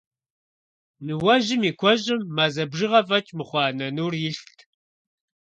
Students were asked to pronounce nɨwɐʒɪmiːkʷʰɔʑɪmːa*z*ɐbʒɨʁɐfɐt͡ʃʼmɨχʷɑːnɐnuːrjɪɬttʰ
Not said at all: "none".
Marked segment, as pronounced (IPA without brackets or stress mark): z